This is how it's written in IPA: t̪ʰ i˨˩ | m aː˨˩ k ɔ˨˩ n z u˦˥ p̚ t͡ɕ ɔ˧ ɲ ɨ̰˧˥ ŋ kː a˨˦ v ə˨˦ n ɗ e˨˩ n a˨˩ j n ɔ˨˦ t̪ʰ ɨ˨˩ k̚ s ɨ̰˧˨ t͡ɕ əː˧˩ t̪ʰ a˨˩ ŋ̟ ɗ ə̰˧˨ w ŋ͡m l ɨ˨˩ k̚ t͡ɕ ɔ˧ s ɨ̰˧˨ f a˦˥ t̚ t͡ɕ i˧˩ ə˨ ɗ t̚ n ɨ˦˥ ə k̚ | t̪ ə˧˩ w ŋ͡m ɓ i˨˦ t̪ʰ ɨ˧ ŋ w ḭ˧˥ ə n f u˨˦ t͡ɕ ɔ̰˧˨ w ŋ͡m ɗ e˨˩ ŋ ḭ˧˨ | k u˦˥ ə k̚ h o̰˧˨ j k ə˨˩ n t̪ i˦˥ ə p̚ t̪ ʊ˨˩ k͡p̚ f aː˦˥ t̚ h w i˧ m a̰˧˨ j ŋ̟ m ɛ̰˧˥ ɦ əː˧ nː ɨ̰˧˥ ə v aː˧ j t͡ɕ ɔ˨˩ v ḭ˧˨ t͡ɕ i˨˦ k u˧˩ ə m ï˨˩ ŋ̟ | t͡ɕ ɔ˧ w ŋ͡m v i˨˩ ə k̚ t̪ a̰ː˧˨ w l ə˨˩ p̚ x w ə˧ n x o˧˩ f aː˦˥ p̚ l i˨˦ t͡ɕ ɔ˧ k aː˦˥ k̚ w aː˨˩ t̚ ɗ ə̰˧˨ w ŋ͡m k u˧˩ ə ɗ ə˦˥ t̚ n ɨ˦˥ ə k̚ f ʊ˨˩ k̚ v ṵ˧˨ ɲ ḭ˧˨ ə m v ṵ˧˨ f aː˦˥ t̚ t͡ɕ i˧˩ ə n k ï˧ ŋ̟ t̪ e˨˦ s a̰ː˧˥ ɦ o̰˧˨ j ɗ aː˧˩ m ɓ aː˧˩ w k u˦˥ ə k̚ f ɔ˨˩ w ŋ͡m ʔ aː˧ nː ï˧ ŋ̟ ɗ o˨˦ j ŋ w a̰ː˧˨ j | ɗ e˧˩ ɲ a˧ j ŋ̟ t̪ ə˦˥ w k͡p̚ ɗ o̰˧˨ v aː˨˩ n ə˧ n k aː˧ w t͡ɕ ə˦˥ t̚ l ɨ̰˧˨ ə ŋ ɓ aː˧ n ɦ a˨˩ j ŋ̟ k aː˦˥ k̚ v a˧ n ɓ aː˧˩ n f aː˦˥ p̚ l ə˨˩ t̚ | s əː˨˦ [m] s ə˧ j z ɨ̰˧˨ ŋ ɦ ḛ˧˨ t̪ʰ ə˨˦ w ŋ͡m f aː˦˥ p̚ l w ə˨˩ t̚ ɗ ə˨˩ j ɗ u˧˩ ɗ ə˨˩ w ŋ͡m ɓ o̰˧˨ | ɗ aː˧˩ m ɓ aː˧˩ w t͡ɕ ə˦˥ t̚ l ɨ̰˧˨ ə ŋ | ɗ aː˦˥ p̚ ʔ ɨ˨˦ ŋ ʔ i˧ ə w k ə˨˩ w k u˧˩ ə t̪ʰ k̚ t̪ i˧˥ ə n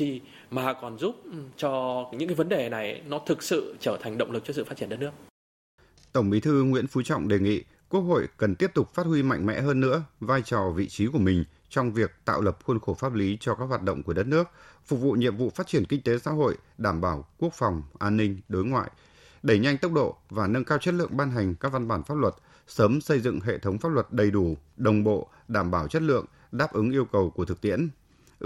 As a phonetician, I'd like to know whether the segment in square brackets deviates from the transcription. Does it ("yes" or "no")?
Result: no